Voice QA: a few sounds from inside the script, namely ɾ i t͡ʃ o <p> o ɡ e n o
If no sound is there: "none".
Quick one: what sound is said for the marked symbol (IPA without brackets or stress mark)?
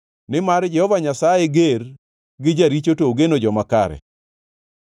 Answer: t